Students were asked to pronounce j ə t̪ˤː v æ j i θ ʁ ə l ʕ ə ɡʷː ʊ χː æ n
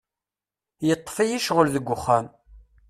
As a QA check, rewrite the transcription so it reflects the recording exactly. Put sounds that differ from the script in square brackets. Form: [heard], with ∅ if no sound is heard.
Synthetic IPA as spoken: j ə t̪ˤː [f] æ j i [ʃ] ʁ ə l [ð] ə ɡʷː ʊ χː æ [m]